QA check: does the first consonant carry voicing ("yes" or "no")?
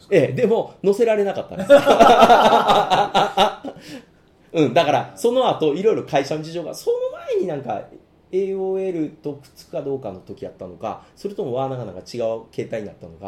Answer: yes